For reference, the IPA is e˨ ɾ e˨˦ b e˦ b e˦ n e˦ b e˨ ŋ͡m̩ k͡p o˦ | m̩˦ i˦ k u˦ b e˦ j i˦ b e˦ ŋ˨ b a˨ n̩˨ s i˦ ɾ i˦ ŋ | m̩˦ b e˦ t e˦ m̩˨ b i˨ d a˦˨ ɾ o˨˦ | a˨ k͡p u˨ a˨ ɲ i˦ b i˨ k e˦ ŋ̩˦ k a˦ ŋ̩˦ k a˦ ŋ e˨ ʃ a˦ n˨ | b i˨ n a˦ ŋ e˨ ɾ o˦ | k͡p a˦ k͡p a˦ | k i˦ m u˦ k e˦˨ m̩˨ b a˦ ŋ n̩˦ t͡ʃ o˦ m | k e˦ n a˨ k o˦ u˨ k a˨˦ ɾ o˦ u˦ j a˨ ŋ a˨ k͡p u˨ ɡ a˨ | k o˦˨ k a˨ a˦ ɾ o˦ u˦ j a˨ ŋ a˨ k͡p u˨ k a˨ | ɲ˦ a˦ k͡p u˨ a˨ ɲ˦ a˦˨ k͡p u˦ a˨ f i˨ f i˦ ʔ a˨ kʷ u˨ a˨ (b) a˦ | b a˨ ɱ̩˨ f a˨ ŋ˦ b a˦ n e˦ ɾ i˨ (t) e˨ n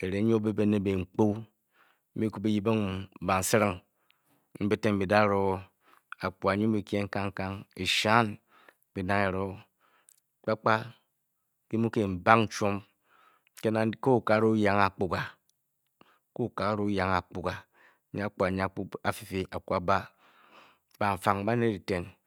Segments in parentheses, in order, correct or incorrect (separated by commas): correct, correct